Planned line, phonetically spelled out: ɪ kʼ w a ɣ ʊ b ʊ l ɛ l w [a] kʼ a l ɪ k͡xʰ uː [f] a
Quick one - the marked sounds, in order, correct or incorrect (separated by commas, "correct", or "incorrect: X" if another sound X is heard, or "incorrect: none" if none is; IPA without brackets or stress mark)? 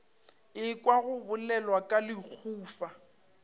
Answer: correct, correct